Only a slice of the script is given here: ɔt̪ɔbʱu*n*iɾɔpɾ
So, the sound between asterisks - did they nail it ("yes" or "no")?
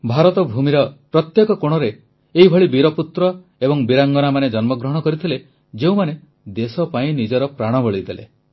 no